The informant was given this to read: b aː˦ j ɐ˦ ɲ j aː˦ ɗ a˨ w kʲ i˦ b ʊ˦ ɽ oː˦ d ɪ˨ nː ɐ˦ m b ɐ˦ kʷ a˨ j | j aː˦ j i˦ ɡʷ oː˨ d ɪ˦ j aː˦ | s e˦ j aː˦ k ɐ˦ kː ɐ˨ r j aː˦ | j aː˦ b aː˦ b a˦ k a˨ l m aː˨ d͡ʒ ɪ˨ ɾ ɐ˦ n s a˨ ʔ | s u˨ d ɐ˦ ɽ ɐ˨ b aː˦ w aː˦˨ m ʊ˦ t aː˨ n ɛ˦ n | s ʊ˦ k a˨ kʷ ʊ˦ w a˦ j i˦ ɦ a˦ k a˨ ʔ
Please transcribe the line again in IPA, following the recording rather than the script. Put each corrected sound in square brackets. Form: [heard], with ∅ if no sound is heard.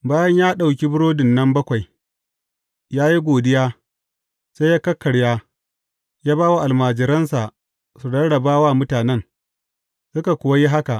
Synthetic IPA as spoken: b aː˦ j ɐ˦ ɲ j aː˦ ɗ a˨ w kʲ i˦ b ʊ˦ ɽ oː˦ d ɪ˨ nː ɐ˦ m b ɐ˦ kʷ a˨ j | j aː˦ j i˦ ɡʷ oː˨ d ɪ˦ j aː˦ | s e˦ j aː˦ k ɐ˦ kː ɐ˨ [ɽ] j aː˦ | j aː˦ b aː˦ [w] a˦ [ʔ] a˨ l m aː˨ d͡ʒ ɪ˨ ɾ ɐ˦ n s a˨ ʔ | s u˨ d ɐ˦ ɽ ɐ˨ b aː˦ w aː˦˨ m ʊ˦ t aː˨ n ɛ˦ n | s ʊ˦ k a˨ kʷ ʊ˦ w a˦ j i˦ ɦ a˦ k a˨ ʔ